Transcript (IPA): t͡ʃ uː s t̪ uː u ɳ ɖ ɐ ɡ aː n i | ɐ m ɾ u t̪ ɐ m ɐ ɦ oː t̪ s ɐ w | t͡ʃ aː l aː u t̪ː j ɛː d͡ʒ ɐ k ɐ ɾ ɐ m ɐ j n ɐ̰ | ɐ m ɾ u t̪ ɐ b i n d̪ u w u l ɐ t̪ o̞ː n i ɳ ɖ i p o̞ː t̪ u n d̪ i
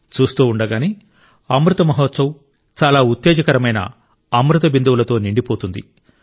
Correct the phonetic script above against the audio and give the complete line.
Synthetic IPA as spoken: t͡ʃ uː s t̪ uː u ɳ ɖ ɐ ɡ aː n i | ɐ m ɾ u t̪ ɐ m ɐ ɦ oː t̪ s ɐ w | t͡ʃ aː l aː u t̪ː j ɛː d͡ʒ ɐ k ɐ ɾ ɐ m ɐ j n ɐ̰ | ɐ m ɾ u t̪ ɐ b i n d̪ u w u l ɐ t̪ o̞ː n i ɳ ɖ i p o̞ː t̪ u n d̪ i